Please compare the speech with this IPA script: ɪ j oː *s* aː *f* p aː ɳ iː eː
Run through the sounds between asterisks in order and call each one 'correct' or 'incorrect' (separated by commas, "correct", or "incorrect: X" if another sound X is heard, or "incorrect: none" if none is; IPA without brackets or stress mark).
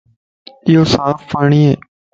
correct, correct